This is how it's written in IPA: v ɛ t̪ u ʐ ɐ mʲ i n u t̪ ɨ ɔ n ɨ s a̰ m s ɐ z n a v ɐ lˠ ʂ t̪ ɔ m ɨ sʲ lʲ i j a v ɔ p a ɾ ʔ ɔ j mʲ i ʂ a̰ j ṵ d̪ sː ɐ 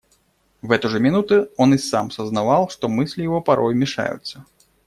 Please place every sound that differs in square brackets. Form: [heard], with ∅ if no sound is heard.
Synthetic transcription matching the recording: v ɛ t̪ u ʐ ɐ mʲ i n u t̪ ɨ ɔ n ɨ s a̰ m s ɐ z n a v [a] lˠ ʂ t̪ ɔ m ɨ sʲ lʲ i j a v ɔ p a ɾ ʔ ɔ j mʲ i ʂ a̰ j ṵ [t̪] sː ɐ